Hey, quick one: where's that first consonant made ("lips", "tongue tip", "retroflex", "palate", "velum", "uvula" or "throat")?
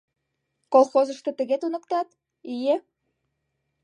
velum